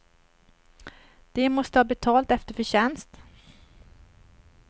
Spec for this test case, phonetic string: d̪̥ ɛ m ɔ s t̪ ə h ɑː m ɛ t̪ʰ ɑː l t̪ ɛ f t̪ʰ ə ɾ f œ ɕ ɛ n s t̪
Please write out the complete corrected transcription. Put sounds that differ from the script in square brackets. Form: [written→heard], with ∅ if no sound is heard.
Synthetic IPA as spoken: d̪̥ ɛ m ɔ s t̪ ə h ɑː [m→b] ɛ t̪ʰ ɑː l t̪ ɛ f [t̪ʰ→t̪] ə ɾ f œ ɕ ɛ n s t̪